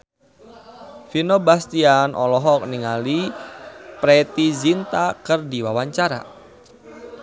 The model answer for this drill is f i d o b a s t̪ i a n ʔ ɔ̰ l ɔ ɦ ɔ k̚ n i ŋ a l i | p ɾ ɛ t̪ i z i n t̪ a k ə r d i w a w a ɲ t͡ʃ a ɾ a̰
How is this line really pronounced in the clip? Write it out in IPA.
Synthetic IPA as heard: f i n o b a s t̪ i a n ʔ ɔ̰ l ɔ ɦ ɔ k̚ n i ŋ a l i | p ɾ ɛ t̪ i z i n t̪ a k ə r d i w a w a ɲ t͡ʃ a ɾ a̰

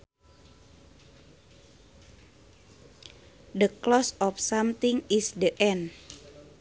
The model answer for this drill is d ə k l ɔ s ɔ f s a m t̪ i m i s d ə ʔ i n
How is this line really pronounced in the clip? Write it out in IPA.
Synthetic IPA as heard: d ə k l ɔ s ɔ f s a m t̪ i ŋ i s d ə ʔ ɛ n

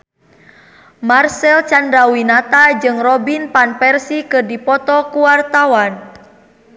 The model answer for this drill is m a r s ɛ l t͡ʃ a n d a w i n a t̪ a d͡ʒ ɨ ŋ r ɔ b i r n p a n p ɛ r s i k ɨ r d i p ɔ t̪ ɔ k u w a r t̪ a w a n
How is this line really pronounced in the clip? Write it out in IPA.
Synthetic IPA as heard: m a r s ɛ l t͡ʃ a n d a w i n a t̪ a d͡ʒ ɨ ŋ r ɔ b i n p a n p ɛ r s i k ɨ r d i p ɔ t̪ ɔ k u w a r t̪ a w a n

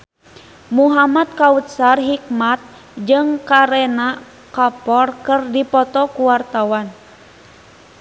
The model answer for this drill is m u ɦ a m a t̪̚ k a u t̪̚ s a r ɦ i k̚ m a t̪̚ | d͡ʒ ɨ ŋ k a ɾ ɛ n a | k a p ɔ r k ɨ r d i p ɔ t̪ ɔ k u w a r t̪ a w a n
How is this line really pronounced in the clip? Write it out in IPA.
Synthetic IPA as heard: m u ɦ a m a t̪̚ k a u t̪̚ s a r ɦ i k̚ m a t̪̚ | d͡ʒ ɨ ŋ k a ɾ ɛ n a | k a p ɔ r k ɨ r d i p ɔ t̪ ɔ k u w a r t̪ a w a n

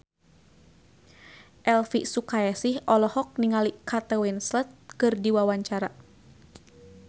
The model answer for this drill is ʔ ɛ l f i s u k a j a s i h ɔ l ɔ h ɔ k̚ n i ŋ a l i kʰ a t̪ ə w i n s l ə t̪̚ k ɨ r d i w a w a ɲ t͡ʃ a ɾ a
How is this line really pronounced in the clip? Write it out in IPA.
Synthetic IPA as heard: ʔ ɛ l f i s u k a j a s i h ɔ l ɔ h ɔ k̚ n i ŋ a l i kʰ a t̪ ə w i n s l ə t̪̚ k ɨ r d i w a w a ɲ t͡ʃ a ɾ a

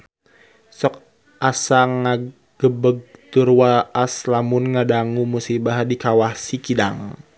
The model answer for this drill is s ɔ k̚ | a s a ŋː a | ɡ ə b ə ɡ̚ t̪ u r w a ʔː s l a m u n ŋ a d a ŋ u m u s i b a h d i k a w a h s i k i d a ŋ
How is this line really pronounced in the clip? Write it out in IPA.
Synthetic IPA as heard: s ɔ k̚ | a s a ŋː a | ɡ ə b ə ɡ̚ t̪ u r w a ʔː s l a m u n ŋ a d a ŋ u m u s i b a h d i k a w a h s i k i d a ŋ

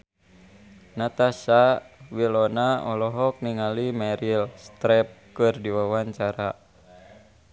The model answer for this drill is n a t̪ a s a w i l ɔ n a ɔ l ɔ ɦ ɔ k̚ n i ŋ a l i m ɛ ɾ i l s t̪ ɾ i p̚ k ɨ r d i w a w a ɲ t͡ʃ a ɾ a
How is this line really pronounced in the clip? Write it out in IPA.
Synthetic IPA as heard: n a t̪ a s a w i l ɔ n a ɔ l ɔ ɦ ɔ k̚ n i ŋ a l i m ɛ ɾ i l s t̪ ɾ ɛ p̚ k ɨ r d i w a w a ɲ t͡ʃ a ɾ a

